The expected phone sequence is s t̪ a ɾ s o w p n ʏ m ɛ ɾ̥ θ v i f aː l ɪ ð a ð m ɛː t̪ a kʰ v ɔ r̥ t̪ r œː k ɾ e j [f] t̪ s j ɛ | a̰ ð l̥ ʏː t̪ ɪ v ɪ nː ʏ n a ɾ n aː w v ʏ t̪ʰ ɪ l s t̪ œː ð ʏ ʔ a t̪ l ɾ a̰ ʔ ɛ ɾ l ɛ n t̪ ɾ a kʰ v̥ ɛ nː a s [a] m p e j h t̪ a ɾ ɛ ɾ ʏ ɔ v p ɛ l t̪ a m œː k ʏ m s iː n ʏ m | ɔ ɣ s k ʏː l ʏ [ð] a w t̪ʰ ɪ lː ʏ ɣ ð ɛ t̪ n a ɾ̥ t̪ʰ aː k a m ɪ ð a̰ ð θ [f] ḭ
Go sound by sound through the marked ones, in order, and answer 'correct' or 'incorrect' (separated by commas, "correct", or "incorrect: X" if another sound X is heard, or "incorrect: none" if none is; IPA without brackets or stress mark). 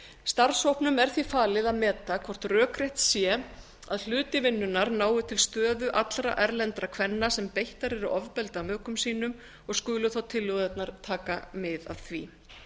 incorrect: h, incorrect: ɛ, incorrect: θ, incorrect: v